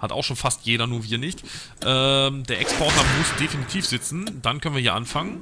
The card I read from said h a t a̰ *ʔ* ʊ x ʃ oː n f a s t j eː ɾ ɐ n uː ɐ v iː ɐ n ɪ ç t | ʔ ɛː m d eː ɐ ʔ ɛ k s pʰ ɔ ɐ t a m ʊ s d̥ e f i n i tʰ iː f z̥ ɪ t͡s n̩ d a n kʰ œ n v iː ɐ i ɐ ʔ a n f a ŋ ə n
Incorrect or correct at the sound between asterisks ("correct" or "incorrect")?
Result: incorrect